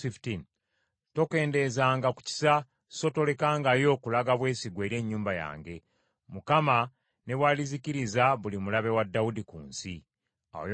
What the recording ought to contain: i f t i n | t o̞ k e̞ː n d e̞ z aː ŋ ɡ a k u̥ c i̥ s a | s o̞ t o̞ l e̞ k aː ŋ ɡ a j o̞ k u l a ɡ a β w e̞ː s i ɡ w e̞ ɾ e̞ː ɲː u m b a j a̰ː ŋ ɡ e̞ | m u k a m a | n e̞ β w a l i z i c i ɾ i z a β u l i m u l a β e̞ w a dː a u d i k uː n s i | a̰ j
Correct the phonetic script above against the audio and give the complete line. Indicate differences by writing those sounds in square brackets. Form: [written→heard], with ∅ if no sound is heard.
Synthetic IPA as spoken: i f t i n | t o̞ k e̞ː n d e̞ z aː ŋ ɡ a k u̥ c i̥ s a | s o̞ t o̞ l e̞ k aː ŋ ɡ a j o̞ k u l a ɡ a β w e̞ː s i ɡ w e̞ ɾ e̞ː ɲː [u→uː] m b a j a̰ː ŋ ɡ e̞ | m u k a m a | n e̞ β w a l i z i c i ɾ i z a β u l i m u l a β e̞ w a dː a u d i k uː n s i | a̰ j

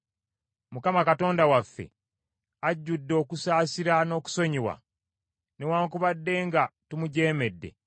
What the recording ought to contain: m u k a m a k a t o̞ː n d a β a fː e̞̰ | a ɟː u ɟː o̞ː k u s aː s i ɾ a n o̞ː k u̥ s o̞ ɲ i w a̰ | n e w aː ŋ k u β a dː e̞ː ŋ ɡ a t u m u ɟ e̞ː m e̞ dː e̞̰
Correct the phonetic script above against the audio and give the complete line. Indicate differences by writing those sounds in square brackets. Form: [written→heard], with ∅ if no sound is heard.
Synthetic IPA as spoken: m u k a m a k a t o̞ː n d a [β→w] a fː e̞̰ | a ɟː u [ɟː→dː] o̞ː k u s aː s i ɾ a n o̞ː k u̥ s o̞ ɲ i w a̰ | n e w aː ŋ k u β a dː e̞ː ŋ ɡ a t u m u ɟ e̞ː m e̞ dː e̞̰

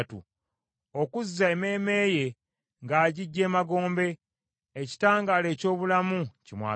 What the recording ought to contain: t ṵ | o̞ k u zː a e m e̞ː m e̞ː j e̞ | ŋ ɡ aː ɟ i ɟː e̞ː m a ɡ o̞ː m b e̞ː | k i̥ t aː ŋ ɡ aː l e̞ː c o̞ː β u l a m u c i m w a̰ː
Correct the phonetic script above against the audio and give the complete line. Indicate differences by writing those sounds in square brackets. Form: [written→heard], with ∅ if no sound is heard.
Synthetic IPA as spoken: t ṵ | o̞ k u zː a e m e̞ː m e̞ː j e̞ | ŋ ɡ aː ɟ i ɟː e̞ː m a ɡ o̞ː m b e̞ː | [k→c] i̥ t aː ŋ ɡ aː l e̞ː c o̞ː β u l a m u c i m w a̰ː

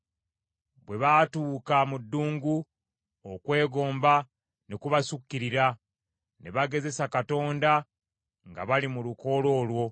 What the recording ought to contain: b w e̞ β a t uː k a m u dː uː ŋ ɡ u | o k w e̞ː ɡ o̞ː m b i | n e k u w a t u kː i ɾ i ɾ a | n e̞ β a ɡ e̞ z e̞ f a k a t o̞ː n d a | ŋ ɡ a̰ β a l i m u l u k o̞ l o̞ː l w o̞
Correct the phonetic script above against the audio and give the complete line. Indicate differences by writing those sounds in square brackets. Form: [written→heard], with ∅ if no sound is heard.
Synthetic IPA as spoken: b w e̞ β a t uː k a m u dː uː ŋ ɡ u | o k w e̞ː ɡ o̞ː m b [i→a] | n e k u [w→β] a [t→s] u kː i ɾ i ɾ a | n e̞ β a ɡ e̞ z e̞ [f→s] a k a t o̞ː n d a | ŋ ɡ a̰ β a l i m u l u k o̞ l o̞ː l w o̞

